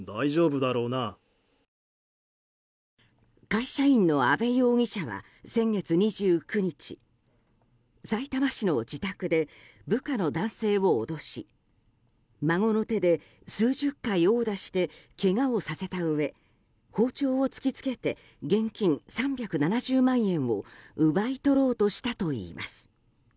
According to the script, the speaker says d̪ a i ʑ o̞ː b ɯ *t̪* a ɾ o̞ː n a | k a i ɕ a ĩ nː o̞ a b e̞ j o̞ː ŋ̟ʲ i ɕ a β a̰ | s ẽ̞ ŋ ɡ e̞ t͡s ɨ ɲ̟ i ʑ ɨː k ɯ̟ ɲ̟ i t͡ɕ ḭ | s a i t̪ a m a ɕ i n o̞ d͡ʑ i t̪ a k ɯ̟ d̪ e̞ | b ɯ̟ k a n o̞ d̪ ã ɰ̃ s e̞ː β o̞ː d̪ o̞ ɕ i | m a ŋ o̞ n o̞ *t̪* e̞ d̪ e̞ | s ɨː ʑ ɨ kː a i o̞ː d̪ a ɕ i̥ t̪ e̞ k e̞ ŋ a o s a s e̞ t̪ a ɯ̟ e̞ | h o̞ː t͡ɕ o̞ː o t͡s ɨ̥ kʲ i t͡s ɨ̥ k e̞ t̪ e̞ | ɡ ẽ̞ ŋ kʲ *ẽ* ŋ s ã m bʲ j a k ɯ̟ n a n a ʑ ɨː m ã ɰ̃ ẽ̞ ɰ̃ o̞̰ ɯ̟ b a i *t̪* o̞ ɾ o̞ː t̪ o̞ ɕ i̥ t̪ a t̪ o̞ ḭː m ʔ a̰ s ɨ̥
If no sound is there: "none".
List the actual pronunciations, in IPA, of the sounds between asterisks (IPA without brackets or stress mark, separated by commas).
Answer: d̪, t̪, ĩ, t̪